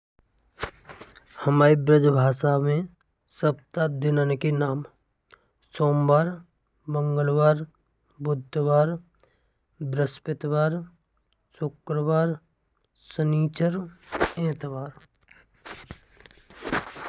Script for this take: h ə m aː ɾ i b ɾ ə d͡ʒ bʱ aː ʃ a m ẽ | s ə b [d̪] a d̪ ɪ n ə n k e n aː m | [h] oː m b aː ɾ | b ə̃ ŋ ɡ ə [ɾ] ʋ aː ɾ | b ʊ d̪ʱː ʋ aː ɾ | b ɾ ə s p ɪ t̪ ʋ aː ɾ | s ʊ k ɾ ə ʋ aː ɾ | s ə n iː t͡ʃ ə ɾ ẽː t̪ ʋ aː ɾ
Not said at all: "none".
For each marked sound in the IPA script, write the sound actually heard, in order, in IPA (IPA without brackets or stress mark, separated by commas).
t̪, s, l